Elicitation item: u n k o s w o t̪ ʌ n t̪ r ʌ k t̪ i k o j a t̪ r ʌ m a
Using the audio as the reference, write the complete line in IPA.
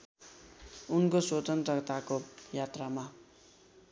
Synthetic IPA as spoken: u n k o s w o t̪ ʌ n t̪ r ʌ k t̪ a k o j a t̪ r a m a